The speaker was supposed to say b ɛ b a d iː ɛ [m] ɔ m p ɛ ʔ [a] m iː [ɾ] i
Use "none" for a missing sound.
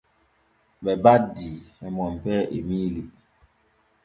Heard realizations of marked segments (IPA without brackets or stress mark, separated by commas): m, e, l